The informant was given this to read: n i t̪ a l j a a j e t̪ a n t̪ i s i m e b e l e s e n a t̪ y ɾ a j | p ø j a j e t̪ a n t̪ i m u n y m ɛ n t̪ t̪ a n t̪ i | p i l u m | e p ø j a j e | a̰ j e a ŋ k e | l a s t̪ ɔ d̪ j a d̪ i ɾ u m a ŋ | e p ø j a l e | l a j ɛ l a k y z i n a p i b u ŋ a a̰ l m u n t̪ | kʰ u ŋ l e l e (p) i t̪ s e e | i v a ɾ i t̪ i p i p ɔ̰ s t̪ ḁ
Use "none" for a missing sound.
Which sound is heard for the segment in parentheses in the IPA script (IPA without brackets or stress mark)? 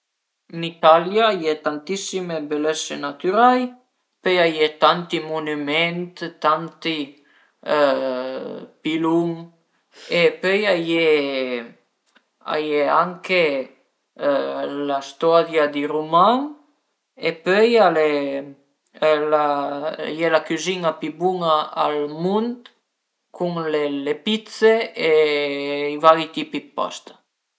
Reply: p